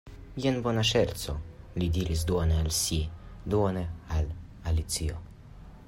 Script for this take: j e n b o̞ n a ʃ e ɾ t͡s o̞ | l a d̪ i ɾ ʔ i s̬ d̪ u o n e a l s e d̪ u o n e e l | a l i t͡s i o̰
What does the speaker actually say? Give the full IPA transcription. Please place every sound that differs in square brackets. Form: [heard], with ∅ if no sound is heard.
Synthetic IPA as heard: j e n b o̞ n a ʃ e ɾ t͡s o̞ | l [i] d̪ i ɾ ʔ i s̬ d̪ u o n e a l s [i] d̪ u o n e [a] l | a l i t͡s i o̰